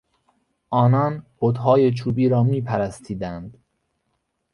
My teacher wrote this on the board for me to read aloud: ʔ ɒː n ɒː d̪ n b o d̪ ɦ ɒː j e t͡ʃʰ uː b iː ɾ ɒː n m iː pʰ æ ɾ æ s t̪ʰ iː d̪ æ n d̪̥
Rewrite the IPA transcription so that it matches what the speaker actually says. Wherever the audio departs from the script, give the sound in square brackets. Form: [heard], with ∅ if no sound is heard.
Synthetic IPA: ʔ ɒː n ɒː [∅] n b o d̪ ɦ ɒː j e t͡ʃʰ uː b iː ɾ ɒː [∅] m iː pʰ æ ɾ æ s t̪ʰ iː d̪ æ n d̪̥